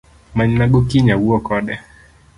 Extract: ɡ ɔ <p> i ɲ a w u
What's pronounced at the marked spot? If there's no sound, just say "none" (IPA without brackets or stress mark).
k